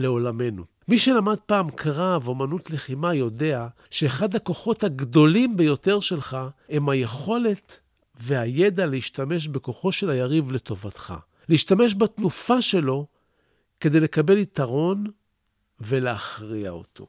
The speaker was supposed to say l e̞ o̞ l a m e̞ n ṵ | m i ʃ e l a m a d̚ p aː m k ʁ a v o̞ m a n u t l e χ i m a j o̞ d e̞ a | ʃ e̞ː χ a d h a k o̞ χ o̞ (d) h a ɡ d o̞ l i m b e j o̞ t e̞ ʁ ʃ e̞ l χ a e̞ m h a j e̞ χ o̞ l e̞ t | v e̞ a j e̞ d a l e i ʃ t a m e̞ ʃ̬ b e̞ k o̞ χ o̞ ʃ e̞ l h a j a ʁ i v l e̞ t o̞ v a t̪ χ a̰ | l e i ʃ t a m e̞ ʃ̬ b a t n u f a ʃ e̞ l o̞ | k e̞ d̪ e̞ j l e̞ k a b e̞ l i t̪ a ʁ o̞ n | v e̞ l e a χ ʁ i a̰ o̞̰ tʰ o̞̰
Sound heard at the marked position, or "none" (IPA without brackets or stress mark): t